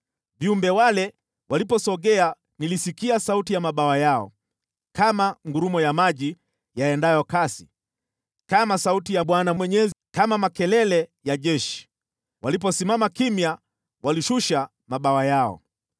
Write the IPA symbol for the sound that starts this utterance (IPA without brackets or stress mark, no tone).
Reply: v